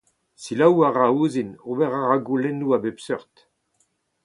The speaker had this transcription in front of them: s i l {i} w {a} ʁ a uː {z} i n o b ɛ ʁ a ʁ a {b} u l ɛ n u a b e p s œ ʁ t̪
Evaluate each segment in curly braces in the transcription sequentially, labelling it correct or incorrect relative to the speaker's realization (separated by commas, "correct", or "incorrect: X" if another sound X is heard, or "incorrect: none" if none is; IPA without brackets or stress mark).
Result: incorrect: a, correct, correct, incorrect: ɡ